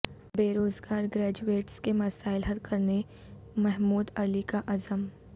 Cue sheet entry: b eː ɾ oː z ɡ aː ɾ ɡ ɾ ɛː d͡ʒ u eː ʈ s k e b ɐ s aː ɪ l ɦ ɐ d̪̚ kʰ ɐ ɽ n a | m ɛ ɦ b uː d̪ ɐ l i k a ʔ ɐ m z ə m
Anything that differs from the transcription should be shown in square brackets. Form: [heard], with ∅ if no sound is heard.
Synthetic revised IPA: b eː ɾ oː z ɡ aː ɾ ɡ ɾ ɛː d͡ʒ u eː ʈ s k e [m] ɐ s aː ɪ l ɦ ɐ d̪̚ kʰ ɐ [ɾ] n [e] | m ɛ ɦ [m] uː d̪ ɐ l i k a ʔ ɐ [∅] z ə m